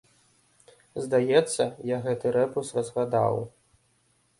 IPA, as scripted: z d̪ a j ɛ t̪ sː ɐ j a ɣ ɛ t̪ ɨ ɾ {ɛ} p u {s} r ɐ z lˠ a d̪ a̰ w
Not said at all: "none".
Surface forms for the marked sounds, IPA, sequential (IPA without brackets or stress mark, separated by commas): ɛ, s